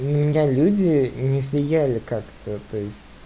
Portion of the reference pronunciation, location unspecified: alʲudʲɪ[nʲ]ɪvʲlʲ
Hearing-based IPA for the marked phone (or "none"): nʲ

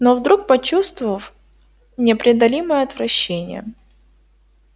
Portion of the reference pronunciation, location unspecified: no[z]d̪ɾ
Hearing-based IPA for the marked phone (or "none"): v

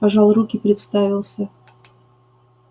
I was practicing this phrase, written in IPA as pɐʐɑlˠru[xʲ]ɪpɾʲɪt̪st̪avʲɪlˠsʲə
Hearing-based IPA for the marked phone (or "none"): kʲ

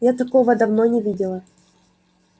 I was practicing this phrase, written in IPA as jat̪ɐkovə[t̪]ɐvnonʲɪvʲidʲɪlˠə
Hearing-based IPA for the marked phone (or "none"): d̪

